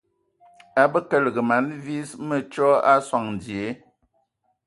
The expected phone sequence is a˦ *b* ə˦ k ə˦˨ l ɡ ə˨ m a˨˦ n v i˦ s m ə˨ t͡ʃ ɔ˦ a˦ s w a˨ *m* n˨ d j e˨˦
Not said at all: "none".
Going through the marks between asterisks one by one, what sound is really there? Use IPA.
b, ŋ

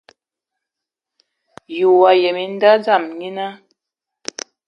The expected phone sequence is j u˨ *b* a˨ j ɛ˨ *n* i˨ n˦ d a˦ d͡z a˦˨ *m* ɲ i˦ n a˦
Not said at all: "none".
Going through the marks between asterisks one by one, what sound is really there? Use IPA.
w, m, m

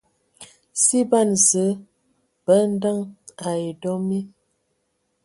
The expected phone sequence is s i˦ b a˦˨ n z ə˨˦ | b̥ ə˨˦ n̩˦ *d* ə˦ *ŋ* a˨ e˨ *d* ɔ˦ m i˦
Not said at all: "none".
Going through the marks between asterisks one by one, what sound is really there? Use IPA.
d, ŋ, d

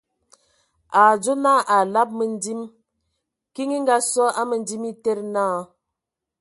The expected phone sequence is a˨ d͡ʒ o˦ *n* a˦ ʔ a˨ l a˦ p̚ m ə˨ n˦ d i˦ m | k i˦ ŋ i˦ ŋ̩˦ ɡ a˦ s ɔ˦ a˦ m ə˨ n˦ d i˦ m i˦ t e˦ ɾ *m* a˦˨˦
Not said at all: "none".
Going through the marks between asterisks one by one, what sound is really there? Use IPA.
n, n

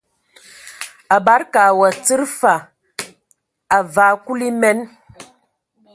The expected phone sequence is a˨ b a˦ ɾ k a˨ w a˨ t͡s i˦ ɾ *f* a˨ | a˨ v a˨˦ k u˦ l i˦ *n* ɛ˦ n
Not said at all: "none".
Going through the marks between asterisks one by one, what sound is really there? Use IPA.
f, m

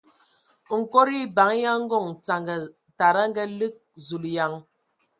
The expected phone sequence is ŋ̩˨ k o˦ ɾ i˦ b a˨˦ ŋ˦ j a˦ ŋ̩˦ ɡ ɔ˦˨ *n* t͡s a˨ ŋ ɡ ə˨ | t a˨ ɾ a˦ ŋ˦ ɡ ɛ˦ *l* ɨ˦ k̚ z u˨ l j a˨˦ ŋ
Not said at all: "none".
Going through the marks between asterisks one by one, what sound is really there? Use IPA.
ŋ, l

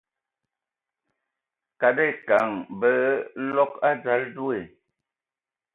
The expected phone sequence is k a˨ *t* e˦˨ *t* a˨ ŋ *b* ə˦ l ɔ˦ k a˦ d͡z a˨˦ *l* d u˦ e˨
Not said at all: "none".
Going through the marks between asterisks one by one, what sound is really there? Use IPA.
d, k, b, l

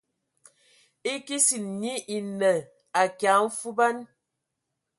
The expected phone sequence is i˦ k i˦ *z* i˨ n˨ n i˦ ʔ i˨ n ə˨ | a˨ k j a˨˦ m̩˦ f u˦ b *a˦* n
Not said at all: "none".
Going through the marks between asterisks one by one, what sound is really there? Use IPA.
s, a˦

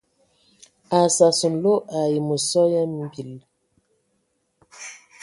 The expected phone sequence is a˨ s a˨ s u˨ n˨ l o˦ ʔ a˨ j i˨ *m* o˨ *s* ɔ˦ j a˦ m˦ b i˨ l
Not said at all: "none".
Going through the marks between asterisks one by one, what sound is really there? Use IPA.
m, s

